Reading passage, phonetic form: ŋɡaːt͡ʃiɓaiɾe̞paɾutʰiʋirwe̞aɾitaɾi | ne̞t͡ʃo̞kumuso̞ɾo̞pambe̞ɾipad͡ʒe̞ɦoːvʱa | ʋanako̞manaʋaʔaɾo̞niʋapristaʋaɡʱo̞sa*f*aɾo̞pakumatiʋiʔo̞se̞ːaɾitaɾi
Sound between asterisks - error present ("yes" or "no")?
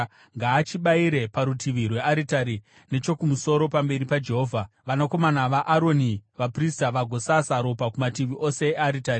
yes